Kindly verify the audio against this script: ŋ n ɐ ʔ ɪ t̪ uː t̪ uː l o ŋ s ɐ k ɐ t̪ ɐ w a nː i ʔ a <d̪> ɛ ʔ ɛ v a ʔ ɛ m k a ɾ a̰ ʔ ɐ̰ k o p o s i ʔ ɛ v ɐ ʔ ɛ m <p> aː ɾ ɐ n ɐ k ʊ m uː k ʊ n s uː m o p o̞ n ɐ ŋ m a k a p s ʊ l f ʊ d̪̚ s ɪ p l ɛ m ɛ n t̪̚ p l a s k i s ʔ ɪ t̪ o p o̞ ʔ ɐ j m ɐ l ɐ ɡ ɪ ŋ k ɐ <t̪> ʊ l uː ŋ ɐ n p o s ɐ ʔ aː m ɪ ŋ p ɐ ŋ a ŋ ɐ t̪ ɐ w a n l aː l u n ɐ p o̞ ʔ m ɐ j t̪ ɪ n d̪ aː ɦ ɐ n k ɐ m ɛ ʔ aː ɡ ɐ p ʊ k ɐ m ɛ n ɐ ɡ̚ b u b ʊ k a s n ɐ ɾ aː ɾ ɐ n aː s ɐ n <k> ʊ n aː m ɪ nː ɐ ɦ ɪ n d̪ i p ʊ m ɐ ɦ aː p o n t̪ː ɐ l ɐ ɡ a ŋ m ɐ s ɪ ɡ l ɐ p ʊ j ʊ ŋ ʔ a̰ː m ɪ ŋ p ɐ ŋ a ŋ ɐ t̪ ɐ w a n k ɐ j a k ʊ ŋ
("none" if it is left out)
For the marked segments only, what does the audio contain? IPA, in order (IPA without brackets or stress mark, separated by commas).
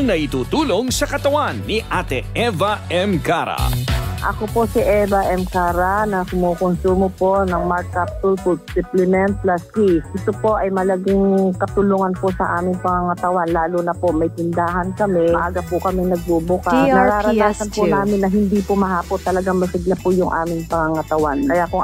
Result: t̪, k, t̪, p